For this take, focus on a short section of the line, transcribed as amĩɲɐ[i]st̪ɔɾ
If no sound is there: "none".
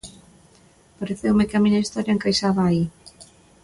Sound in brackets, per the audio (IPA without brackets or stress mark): i